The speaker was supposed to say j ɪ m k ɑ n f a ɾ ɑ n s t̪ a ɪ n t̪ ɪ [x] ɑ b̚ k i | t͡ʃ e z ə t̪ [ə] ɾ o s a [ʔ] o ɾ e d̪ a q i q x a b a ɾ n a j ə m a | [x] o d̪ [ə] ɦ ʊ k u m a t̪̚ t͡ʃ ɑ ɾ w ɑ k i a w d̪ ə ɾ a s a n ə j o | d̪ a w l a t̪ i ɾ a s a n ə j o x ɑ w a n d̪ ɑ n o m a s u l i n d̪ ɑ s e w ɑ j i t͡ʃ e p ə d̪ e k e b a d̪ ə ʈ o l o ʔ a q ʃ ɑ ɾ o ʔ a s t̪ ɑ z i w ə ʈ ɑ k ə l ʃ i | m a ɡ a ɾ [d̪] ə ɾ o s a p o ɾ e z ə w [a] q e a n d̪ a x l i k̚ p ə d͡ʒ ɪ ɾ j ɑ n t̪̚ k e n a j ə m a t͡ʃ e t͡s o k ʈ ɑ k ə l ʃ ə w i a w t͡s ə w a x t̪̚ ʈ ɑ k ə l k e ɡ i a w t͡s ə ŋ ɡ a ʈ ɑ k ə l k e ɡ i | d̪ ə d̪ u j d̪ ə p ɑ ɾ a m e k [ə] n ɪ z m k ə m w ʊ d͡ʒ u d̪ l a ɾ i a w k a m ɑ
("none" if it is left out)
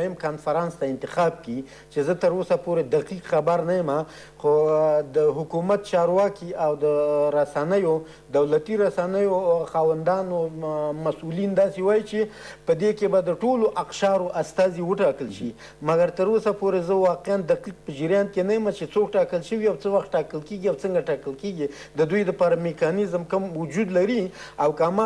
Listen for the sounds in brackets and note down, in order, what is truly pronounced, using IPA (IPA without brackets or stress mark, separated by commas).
x, ə, p, x, ə, t̪, ɑ, ɑ